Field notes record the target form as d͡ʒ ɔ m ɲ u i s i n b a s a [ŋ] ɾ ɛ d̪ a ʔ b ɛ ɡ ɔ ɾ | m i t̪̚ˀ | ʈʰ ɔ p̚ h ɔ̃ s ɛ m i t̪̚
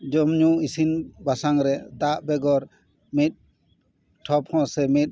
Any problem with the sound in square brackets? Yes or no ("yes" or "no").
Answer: no